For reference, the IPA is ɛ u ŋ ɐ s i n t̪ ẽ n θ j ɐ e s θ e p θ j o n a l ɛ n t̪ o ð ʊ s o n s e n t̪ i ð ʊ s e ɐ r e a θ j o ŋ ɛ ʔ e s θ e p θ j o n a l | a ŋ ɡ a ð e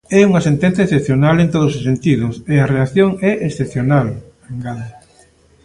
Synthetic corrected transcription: ɛ u ŋ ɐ s e n t̪ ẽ n θ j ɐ e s θ e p θ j o n a l e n t̪ o ð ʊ s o s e n t̪ i ð ʊ s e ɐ r e a θ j o ŋ ɛ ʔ e s θ e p θ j o n a l | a ŋ ɡ a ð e